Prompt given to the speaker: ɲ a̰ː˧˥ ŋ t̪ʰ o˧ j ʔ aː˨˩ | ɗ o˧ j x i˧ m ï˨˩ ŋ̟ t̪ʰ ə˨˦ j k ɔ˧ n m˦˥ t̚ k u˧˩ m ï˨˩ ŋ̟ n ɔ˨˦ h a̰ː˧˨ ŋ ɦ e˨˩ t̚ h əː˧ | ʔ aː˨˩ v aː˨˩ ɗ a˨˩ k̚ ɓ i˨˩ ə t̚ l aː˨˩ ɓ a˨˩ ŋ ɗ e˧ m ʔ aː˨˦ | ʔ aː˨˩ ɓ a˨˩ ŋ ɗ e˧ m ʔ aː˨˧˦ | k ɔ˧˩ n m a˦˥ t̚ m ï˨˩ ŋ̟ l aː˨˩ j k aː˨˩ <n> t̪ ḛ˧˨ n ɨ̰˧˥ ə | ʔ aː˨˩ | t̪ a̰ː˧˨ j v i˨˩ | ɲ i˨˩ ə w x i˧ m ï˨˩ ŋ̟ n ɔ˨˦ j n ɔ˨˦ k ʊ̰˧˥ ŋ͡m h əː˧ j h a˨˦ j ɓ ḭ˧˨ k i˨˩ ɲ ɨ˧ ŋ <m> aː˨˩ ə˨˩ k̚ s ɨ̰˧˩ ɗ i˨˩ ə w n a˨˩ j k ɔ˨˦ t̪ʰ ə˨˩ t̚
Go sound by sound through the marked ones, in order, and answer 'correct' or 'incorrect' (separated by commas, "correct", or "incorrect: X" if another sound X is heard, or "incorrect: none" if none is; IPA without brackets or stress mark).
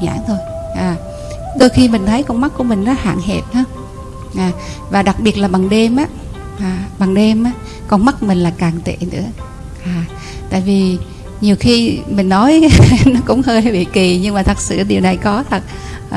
incorrect: ŋ, correct